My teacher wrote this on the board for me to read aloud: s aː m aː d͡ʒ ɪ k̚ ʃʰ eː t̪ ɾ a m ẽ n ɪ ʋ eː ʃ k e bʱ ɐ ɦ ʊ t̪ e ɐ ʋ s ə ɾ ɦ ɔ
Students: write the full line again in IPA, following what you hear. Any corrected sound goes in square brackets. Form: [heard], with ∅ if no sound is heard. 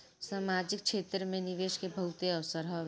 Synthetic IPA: s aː m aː d͡ʒ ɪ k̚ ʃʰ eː t̪ ɾ [ə] m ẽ n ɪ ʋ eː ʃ k e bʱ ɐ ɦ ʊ t̪ e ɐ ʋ s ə ɾ ɦ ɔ